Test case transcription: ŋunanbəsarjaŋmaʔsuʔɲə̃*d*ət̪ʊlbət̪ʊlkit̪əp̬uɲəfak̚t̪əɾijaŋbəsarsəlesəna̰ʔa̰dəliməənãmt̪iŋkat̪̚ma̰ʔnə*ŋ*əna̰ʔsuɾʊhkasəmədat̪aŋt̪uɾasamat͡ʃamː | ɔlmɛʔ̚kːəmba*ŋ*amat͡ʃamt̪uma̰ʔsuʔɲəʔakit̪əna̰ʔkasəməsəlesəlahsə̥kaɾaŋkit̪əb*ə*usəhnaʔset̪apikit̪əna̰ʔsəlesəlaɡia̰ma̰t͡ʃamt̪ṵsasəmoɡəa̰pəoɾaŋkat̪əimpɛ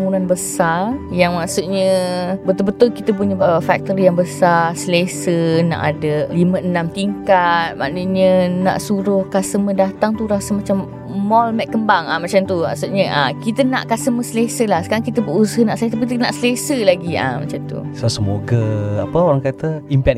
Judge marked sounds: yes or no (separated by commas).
no, no, yes, yes